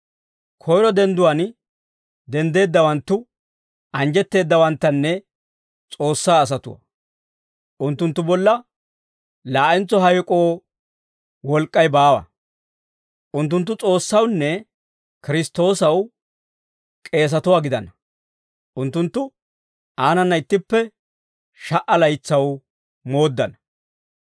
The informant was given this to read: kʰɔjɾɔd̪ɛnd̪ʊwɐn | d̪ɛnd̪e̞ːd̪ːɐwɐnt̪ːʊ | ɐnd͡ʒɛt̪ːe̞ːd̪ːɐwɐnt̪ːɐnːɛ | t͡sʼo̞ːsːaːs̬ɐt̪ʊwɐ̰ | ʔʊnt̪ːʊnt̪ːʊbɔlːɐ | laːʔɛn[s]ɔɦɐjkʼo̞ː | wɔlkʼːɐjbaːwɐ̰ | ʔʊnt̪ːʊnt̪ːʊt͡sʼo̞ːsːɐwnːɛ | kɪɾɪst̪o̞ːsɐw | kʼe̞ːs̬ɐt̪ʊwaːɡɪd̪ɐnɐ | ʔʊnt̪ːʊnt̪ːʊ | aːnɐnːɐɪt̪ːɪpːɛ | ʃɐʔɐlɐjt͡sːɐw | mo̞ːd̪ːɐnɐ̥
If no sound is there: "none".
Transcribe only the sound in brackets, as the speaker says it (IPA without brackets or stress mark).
t͡s